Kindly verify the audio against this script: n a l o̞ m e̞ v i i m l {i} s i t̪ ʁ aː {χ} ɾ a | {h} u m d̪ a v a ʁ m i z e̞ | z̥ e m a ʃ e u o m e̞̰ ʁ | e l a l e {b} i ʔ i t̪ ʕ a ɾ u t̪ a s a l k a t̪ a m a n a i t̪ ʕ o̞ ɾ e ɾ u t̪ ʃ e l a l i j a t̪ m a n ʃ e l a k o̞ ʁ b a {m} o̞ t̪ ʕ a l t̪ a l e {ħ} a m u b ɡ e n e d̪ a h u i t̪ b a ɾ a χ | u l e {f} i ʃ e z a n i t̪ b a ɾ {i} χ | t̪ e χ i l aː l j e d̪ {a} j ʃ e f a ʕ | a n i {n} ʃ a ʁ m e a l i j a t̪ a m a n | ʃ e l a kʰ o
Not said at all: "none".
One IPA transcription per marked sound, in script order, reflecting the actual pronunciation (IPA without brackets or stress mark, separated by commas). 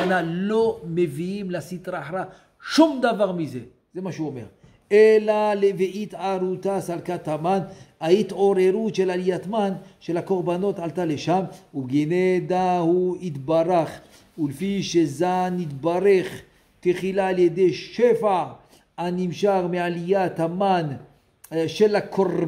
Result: a, ħ, ʃ, v, n, ʃ, f, e, e, m